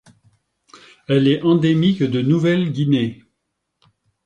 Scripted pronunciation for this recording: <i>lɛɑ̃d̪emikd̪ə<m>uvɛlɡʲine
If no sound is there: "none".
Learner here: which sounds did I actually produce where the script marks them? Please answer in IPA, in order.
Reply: ɛ, n

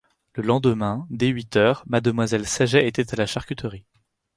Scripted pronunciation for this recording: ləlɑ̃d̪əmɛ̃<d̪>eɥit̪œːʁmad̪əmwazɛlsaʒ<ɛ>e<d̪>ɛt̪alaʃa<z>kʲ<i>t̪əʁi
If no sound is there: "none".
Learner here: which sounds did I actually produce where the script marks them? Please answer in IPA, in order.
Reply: d̪, ɛ, t̪, ʁ, y

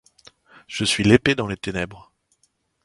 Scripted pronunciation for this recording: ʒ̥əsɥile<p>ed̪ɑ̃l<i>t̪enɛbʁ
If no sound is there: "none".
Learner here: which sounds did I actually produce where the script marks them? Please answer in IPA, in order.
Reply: p, e

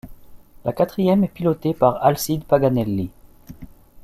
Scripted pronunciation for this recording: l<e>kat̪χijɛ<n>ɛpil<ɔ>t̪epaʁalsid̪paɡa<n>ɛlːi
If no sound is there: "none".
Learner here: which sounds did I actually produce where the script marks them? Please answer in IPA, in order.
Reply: a, m, ɔ, n

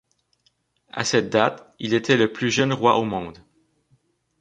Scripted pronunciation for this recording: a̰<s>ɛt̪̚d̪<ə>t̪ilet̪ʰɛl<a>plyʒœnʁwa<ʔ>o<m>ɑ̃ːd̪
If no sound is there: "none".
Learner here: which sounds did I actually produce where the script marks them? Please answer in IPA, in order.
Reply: s, a, ə, ʔ, m

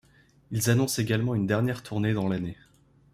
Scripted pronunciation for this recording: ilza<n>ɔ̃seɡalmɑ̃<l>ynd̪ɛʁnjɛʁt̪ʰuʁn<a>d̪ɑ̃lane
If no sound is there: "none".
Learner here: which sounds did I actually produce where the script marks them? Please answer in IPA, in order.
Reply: n, none, e

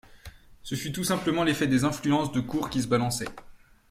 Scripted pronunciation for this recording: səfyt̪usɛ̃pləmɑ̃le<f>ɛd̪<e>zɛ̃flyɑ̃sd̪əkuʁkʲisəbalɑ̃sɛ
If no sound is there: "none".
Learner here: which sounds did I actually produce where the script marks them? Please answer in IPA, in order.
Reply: f, e

